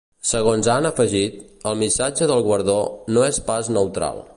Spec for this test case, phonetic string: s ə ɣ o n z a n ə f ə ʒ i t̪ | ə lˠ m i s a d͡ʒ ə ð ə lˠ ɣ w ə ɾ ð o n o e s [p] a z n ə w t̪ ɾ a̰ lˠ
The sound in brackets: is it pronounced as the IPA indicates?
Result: yes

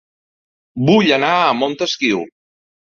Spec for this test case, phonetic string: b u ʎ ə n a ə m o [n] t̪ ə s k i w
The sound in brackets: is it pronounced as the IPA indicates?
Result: yes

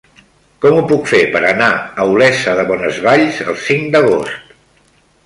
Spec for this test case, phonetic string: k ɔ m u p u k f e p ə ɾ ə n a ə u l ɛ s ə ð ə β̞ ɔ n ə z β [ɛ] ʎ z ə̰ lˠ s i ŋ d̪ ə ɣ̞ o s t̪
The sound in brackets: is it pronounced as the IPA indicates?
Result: no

